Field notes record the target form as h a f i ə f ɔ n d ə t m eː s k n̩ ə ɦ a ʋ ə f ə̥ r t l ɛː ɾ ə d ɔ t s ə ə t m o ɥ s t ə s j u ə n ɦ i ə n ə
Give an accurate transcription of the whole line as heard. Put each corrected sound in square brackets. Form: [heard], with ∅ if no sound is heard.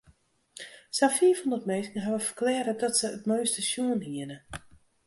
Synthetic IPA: [s] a f i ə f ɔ n d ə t m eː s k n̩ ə ɦ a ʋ ə f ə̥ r [k] l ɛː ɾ ə d ɔ t s ə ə t m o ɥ s t ə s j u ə n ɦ i ə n ə